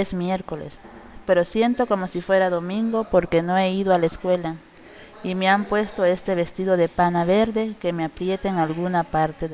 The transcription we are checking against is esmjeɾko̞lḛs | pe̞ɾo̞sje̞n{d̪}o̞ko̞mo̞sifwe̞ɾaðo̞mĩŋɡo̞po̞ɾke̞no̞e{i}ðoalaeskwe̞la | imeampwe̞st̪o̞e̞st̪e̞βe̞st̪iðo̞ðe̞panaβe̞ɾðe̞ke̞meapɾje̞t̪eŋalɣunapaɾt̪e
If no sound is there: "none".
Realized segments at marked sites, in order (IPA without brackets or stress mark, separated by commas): t̪, i